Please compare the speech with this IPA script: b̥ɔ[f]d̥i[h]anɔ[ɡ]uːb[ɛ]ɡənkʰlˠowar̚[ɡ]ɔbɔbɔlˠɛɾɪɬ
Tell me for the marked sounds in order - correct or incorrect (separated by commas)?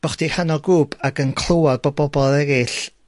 incorrect, correct, correct, incorrect, incorrect